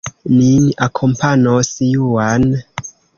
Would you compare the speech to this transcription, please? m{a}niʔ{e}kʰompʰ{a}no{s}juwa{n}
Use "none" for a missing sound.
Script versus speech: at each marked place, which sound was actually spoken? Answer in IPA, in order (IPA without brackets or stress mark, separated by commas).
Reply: i, a, a, s, n